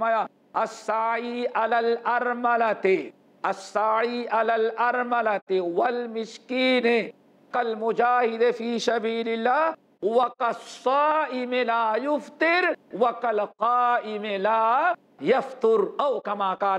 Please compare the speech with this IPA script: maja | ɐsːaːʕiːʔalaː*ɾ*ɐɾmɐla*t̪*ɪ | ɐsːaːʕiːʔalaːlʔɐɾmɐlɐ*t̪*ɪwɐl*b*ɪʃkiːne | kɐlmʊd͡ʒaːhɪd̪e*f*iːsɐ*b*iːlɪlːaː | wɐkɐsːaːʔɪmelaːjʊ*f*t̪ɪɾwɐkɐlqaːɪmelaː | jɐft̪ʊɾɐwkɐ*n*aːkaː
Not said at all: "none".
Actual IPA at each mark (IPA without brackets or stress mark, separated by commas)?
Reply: l, t̪, t̪, m, f, b, f, m